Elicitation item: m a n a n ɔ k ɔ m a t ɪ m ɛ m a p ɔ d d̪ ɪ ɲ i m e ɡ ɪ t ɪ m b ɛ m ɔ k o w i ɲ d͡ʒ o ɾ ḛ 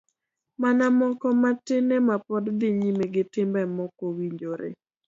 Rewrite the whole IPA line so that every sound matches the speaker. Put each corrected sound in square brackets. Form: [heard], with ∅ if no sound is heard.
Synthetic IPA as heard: m a n a [m] ɔ k ɔ m a t ɪ [n] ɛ m a p ɔ d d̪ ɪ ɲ i m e ɡ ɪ t ɪ m b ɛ m ɔ k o w i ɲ d͡ʒ o ɾ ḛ